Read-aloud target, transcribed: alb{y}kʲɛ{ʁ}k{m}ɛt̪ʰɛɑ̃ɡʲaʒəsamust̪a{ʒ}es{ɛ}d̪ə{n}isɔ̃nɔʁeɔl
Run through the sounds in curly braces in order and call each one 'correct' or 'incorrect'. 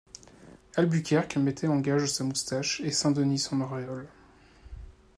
correct, correct, correct, incorrect: ʃ, incorrect: ɛ̃, correct

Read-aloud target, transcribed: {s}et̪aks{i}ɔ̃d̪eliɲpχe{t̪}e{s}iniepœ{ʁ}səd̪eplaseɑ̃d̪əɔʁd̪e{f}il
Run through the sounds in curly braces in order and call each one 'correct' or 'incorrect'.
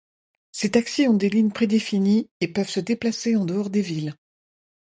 correct, correct, incorrect: d̪, incorrect: f, incorrect: v, incorrect: v

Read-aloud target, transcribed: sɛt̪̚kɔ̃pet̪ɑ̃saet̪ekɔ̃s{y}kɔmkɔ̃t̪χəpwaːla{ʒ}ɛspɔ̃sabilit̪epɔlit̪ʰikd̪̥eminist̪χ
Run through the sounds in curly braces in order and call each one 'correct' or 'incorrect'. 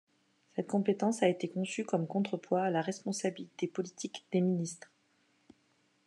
correct, incorrect: ʁ

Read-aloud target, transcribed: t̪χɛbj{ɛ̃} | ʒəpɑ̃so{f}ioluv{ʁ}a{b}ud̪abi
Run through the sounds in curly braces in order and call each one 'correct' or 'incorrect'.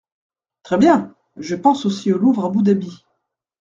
correct, incorrect: s, correct, correct

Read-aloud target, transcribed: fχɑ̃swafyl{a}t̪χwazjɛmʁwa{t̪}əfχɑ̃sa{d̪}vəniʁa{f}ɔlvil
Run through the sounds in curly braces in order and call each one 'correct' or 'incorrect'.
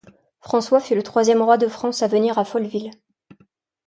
incorrect: ə, incorrect: d̪, incorrect: none, correct

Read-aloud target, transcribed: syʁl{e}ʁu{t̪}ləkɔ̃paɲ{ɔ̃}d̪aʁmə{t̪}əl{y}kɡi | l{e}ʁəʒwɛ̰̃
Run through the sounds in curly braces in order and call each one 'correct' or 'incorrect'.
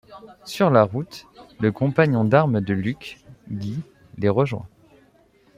incorrect: a, correct, correct, incorrect: d̪, correct, correct

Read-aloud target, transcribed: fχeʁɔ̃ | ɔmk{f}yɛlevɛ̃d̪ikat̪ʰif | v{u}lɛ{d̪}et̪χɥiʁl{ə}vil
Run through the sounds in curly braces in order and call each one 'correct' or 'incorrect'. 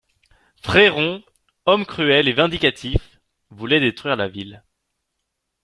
incorrect: χ, correct, correct, incorrect: a

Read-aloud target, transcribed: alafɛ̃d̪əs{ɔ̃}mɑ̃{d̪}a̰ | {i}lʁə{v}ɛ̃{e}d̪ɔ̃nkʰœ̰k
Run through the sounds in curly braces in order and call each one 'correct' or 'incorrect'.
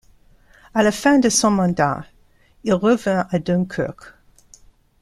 correct, correct, correct, correct, incorrect: a

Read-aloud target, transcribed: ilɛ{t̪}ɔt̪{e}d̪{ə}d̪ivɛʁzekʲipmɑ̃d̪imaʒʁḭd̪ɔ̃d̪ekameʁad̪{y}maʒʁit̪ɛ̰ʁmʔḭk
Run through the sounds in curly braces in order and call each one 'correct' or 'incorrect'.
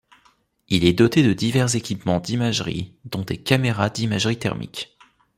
incorrect: d̪, correct, correct, incorrect: i

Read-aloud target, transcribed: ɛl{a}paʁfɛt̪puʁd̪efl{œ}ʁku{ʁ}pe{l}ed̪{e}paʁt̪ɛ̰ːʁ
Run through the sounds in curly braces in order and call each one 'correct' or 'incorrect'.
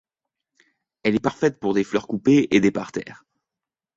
incorrect: ɛ, correct, incorrect: none, incorrect: none, correct

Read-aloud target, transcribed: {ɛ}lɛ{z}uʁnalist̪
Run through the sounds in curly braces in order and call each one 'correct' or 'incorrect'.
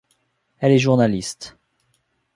correct, incorrect: ʒ

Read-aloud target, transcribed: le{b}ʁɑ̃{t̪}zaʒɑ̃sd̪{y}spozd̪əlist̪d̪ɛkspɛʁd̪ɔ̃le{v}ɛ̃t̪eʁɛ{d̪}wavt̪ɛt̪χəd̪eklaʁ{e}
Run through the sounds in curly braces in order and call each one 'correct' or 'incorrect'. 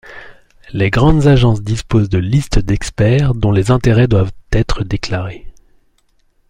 incorrect: ɡ, incorrect: d̪, incorrect: i, incorrect: z, correct, correct

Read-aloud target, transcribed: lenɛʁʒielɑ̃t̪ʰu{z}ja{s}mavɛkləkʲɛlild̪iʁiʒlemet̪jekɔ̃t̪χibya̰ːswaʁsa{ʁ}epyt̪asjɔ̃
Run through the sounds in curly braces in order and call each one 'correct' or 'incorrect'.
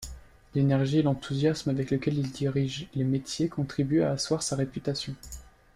correct, correct, correct

